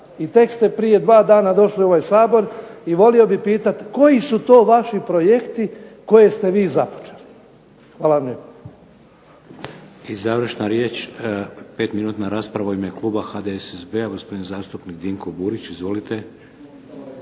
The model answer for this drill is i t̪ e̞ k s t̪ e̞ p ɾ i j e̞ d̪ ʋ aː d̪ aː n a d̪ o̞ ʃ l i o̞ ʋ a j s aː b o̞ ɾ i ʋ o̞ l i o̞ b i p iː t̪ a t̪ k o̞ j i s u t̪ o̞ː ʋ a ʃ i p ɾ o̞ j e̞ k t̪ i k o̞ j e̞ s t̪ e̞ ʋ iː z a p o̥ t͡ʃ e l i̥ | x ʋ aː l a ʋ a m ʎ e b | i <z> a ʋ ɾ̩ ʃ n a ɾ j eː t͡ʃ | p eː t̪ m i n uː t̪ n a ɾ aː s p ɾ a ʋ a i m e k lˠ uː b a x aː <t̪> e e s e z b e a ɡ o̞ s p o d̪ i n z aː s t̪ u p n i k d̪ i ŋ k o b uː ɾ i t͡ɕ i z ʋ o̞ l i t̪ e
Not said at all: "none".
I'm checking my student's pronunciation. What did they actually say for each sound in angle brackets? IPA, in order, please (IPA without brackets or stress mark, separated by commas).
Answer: z, d̪